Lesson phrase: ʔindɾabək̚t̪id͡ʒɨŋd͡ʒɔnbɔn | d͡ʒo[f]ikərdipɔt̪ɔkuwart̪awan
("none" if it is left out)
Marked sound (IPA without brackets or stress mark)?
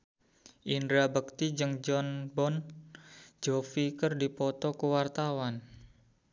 f